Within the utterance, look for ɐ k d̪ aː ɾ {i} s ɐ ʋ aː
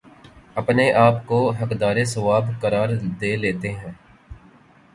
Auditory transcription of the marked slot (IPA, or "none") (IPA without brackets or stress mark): e